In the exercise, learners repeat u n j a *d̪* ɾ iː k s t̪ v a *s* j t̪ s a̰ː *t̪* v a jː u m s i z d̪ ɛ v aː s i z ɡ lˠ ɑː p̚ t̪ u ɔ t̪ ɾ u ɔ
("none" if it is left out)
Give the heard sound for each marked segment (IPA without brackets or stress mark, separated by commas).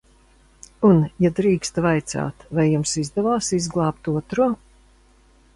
d̪, none, t̪